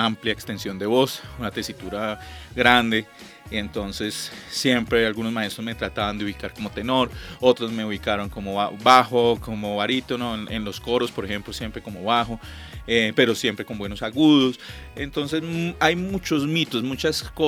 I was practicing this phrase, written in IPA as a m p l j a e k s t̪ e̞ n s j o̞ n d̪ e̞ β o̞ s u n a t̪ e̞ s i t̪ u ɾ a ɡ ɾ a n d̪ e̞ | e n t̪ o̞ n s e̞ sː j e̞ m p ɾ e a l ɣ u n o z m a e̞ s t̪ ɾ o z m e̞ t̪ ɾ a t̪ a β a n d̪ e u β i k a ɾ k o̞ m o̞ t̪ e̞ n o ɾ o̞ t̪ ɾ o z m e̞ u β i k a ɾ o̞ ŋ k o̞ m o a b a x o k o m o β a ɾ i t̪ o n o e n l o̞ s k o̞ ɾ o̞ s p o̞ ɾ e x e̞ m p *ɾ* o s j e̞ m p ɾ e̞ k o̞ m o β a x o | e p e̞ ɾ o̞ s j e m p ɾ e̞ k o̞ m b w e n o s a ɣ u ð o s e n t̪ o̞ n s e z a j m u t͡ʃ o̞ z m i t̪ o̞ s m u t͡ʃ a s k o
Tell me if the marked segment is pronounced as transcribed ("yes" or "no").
no